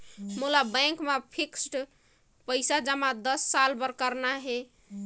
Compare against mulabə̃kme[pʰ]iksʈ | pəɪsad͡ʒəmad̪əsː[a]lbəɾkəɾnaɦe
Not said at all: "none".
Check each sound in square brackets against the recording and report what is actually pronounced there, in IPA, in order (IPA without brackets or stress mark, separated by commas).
pʰ, a